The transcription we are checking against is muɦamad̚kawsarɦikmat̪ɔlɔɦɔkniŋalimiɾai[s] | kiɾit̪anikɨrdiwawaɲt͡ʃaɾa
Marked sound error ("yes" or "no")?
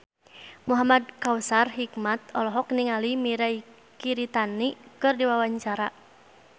yes